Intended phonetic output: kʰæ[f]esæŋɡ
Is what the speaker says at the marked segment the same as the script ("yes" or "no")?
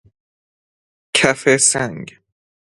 yes